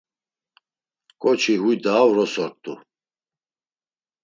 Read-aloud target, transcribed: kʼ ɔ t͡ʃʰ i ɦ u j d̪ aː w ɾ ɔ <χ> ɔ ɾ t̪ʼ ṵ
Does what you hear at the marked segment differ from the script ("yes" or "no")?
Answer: yes